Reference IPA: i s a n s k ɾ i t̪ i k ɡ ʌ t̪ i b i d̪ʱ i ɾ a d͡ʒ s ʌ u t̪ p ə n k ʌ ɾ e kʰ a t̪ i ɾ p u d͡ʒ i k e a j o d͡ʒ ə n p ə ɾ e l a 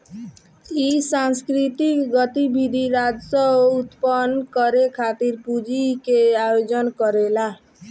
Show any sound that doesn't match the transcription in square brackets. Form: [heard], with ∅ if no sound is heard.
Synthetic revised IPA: i s a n s k ɾ i t̪ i k ɡ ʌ t̪ i b i d̪ʱ i ɾ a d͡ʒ s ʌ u t̪ p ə n k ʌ ɾ e kʰ a t̪ i ɾ p u d͡ʒ i k e a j o d͡ʒ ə n [k] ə ɾ e l a